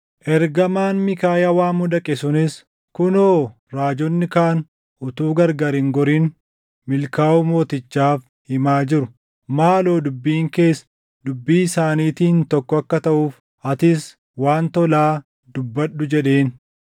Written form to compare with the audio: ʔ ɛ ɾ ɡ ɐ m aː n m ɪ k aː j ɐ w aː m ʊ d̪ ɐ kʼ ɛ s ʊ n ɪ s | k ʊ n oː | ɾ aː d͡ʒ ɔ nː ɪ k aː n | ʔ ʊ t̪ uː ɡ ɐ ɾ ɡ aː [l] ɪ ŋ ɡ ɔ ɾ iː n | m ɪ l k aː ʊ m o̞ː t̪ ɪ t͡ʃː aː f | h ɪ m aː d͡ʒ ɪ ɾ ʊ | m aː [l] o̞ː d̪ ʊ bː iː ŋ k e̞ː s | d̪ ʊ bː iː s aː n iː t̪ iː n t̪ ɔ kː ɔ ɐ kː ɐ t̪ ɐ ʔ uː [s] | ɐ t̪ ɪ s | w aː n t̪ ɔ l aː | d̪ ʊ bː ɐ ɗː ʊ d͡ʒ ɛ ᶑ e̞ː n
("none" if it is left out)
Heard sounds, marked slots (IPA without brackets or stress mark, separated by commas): ɾ, l, f